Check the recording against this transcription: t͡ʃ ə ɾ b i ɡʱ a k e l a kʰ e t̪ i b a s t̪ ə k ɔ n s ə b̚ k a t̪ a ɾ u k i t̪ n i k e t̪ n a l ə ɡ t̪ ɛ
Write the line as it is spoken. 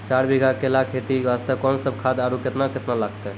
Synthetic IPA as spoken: t͡ʃ a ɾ b i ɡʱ a k e l a kʰ e t̪ i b a s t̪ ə k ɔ n s ə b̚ kʰ a d̪ a ɾ u k e t̪ n a k e t̪ n a l a ɡ t̪ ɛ